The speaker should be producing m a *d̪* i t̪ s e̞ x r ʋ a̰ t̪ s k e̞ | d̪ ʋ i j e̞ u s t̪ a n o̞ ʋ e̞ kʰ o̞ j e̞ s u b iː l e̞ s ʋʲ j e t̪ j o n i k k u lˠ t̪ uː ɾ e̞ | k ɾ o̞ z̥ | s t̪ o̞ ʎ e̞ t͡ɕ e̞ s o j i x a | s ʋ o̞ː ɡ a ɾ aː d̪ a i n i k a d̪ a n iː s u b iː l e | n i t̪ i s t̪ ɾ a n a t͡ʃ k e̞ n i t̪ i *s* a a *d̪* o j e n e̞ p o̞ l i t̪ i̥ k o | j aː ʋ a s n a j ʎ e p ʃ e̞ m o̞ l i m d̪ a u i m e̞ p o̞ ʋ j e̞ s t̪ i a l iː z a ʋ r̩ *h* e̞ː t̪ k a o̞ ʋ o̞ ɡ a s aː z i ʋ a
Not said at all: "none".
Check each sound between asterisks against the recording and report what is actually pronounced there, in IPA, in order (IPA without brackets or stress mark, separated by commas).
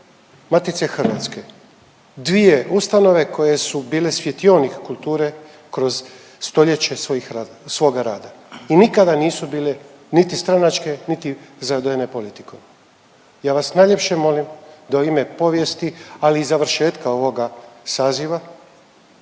t̪, z, d̪, ʃ